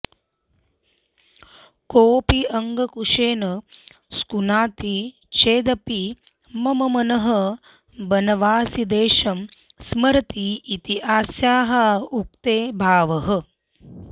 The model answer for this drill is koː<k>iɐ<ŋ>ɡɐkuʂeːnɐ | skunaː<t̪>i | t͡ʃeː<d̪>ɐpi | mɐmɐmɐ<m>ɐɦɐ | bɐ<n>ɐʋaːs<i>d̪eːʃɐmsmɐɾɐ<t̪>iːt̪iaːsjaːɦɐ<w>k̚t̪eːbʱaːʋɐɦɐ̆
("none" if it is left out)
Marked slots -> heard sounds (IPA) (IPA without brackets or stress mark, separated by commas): p, ŋ, t̪, d̪, n, n, i, t̪, u